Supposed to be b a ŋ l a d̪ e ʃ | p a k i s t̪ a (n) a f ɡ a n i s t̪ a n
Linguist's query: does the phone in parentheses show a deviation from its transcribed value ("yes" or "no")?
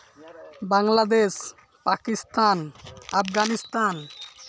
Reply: no